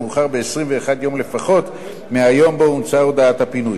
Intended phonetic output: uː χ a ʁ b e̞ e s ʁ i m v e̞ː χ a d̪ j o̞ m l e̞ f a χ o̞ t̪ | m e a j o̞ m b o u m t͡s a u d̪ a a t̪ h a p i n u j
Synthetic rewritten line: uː χ a ʁ b e̞ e s ʁ i m v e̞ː χ a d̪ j o̞ m l e̞ f a χ o̞ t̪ | m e a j o̞ m b o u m t͡s a o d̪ a a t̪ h a p i n u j